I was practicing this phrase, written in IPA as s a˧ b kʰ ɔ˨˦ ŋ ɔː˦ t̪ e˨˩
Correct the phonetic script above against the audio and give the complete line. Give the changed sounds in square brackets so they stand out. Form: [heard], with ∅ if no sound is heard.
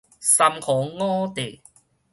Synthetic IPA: s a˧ [m] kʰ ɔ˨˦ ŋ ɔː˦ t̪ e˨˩